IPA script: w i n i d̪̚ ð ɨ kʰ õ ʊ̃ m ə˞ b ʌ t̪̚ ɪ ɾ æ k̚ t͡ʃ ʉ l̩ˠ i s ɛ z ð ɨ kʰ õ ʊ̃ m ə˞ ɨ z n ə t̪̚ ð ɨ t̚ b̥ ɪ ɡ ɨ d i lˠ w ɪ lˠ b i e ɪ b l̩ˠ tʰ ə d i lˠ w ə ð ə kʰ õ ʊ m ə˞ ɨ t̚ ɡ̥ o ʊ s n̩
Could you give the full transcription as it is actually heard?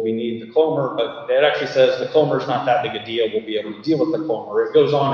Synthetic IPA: w i n i d̪̚ ð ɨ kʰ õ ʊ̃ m ə˞ b ʌ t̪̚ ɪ ɾ æ k̚ t͡ʃ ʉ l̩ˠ i s ɛ z ð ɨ kʰ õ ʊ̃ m ə˞ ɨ z n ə t̪̚ ð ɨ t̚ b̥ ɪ ɡ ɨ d i lˠ w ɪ lˠ b i e ɪ b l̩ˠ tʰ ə d i lˠ w ə ð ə kʰ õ ʊ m ə˞ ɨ t̚ ɡ̥ o ʊ z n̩